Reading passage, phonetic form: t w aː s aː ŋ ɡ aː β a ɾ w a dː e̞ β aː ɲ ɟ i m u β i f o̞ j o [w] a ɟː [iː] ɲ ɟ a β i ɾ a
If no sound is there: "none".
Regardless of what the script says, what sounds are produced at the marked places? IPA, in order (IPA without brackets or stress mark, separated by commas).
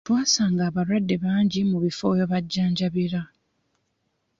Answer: β, aː